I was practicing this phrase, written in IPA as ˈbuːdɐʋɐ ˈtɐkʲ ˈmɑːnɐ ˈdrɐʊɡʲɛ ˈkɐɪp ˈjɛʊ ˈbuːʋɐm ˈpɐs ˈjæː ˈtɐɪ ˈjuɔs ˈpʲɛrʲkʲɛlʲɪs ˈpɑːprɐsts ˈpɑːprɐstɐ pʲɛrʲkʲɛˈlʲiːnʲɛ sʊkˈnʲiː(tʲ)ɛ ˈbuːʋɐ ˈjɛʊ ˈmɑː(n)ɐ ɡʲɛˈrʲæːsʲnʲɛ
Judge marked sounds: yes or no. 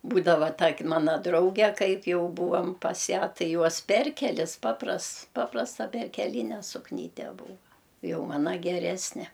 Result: yes, yes

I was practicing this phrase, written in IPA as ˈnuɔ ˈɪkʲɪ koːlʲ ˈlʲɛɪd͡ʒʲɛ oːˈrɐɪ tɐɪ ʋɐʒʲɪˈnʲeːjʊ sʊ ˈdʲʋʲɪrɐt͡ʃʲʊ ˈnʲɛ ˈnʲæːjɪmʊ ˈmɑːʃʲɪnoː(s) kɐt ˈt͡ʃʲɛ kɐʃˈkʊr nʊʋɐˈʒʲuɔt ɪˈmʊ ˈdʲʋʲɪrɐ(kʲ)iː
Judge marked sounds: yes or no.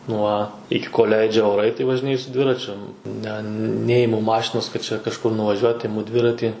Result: yes, no

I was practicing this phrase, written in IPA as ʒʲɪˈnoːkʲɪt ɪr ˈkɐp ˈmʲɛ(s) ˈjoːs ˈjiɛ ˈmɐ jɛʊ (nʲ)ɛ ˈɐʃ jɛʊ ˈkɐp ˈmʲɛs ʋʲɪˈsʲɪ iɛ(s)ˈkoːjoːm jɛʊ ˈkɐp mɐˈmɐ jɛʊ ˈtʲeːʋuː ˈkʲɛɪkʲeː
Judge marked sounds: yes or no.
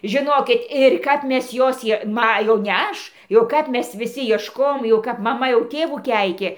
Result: yes, yes, no

